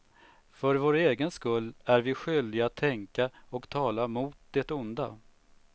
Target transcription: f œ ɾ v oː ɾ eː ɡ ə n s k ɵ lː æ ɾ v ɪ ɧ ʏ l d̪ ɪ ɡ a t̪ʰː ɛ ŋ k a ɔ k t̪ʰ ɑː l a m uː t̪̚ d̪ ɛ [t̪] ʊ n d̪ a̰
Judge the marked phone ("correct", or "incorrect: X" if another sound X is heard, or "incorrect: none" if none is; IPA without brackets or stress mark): correct